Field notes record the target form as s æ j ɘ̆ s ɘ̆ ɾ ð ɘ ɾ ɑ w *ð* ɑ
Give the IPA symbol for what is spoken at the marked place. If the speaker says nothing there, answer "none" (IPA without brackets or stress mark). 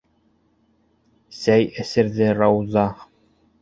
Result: z